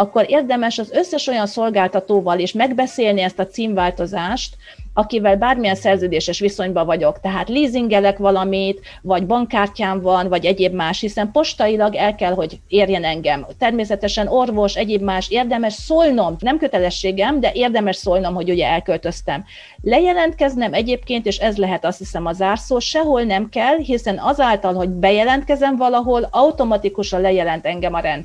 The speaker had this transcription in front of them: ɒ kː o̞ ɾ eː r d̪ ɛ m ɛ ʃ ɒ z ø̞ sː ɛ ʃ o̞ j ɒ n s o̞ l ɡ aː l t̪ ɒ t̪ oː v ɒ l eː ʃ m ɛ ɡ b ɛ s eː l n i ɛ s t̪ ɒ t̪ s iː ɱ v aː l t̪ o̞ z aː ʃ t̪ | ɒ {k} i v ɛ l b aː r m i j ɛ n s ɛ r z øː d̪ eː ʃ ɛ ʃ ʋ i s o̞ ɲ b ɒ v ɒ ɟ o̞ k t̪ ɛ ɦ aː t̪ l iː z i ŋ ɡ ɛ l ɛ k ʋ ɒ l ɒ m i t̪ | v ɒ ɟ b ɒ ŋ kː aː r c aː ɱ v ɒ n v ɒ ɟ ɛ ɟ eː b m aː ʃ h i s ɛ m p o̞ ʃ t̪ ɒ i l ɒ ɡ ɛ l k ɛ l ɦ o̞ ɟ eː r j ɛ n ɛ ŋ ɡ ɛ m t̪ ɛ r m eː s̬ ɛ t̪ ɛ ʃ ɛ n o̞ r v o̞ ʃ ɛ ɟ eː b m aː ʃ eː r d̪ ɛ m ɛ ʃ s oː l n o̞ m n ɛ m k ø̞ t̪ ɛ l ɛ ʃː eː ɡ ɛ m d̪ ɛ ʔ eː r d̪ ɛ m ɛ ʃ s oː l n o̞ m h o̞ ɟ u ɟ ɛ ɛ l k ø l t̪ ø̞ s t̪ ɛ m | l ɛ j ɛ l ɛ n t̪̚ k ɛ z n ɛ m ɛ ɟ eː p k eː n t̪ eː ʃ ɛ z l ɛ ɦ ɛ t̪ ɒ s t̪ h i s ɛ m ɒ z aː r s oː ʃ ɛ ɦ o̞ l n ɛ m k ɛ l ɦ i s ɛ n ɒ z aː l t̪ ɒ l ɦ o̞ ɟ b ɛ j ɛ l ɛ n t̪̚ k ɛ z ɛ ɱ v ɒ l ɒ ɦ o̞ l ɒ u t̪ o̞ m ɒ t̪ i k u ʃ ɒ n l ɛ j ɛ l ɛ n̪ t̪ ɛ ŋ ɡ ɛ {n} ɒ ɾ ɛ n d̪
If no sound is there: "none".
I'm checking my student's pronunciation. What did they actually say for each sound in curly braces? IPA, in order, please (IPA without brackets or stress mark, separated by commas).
k, m